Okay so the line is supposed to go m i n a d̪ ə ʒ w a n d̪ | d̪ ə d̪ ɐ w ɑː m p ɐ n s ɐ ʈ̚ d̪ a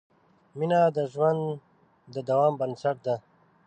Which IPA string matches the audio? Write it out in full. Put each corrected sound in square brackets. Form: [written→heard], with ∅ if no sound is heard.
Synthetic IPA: m i n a d̪ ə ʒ w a n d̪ | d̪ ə d̪ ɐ w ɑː m [p→b] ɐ n s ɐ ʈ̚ d̪ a

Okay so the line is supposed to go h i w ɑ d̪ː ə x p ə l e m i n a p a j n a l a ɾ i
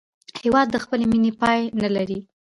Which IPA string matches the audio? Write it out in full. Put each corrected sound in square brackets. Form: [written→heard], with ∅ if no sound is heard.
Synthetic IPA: h [i→e] w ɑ d̪ː ə x p ə l e m i n [a→e] p [a→ɑ] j n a l a ɾ i

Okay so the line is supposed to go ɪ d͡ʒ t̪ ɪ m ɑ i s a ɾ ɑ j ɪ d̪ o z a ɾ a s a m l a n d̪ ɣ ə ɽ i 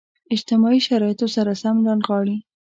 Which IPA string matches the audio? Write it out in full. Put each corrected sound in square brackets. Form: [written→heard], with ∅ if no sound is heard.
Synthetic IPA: ɪ d͡ʒ t̪ ɪ m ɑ i [s→ʃ] a ɾ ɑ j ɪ [d̪→t̪] o [z→s] a ɾ a s a m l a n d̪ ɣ [ə→ɑ] ɽ i

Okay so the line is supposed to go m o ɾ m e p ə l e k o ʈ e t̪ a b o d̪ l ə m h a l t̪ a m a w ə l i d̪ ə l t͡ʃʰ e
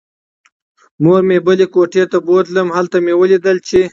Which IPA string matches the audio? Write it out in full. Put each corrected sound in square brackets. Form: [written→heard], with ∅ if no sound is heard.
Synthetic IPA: m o ɾ m e [p→b] ə l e k o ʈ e t̪ a b o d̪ l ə m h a l t̪ a m [a→e] w ə l i d̪ ə l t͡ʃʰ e

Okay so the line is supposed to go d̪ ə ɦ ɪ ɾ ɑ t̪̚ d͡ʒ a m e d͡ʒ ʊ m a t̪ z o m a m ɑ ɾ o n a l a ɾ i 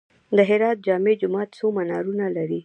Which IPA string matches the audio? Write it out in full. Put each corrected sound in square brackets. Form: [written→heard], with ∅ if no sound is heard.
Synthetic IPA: d̪ ə ɦ ɪ ɾ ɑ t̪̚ d͡ʒ [a→ɑ] m e d͡ʒ ʊ m [a→ɑ] t̪ [z→s] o m a [m→n] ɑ ɾ [o→u] n a l a ɾ i

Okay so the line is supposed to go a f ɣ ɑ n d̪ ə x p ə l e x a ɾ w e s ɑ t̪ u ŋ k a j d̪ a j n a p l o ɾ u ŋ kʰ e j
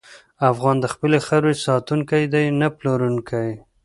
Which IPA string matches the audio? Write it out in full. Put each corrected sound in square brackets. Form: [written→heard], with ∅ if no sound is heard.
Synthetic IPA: a f ɣ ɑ n d̪ ə x p ə l e x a ɾ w e s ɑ t̪ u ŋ k a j d̪ a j n a p l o ɾ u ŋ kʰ [e→a] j

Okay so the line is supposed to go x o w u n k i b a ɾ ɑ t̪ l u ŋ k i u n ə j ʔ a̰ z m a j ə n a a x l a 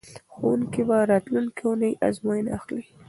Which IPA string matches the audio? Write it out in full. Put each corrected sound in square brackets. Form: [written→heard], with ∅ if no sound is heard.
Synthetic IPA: x o w u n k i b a ɾ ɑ t̪ l u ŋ k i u n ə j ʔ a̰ z m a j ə n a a x l [a→i]

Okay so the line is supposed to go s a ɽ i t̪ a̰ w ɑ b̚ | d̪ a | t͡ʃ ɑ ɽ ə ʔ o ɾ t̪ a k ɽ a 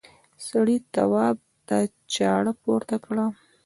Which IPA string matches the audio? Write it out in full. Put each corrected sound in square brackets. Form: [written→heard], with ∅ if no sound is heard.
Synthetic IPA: s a ɽ i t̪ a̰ w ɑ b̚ | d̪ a | t͡ʃ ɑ ɽ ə [ʔ→p] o ɾ t̪ a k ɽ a

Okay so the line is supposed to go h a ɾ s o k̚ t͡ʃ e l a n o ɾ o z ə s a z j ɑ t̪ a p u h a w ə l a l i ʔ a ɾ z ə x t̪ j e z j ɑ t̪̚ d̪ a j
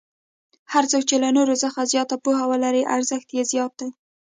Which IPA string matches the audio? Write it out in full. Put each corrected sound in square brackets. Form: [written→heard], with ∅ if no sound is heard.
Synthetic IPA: h a ɾ [s→t͡s] o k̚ t͡ʃ e l a n o ɾ o z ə [s→x] a z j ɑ t̪ a p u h a w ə l a [l→ɾ] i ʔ a ɾ z ə x t̪ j e z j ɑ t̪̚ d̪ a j

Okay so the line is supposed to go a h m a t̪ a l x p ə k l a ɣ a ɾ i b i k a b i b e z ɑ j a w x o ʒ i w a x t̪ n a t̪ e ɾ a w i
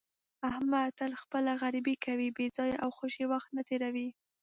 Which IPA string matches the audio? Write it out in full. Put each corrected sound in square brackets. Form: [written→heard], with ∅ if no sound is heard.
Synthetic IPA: a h m a t̪ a l x p ə [k→∅] l a ɣ a ɾ i b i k a [b→w] i b e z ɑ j a w x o [ʒ→ʃ] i w a x t̪ n a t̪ e ɾ a w i

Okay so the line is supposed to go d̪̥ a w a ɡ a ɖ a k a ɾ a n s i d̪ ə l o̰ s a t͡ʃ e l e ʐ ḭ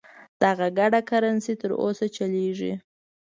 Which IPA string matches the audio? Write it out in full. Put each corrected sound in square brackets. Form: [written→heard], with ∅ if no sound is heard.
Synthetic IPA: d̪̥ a [w→ɣ] a ɡ a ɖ a k a ɾ a n s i [d̪→t̪] ə [l→ɾ] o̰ s a t͡ʃ [e→a] l e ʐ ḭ

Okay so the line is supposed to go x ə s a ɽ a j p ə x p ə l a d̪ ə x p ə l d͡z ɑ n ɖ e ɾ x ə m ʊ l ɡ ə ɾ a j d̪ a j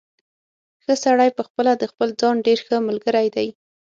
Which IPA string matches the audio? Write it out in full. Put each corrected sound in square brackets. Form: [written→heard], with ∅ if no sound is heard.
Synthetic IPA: x ə s a ɽ a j p ə x p ə l a d̪ ə x p ə l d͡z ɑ n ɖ e ɾ x ə m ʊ l ɡ ə ɾ a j d̪ a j

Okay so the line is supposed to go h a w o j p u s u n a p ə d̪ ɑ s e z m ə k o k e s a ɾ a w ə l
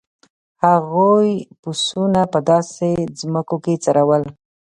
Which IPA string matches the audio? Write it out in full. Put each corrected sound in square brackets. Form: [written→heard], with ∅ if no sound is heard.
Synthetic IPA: h a [w→ɣ] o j p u s u n a p ə d̪ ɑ s e z m ə k o k e [s→t͡s] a ɾ a w ə l

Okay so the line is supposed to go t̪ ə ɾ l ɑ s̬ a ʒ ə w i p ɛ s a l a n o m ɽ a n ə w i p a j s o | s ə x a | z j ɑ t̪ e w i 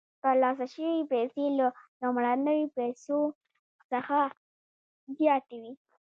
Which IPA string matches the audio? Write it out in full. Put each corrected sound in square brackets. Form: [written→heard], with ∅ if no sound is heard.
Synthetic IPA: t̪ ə ɾ l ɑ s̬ a [ʒ→ʃ] ə w i p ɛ s [a→e] l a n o m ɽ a n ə w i p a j s o | s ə x a | z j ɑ t̪ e w i

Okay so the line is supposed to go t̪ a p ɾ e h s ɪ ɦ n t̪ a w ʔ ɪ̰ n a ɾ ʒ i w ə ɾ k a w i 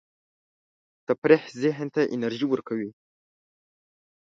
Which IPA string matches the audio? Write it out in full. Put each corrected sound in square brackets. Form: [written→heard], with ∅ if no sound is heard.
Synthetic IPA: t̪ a p ɾ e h [s→z] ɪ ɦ n t̪ a [w→∅] ʔ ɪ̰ n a ɾ ʒ i w ə ɾ k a w i

